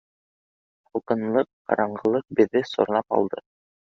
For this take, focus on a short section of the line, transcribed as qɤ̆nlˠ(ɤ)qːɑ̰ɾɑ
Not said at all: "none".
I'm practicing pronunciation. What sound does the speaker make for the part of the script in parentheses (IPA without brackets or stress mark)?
ɤ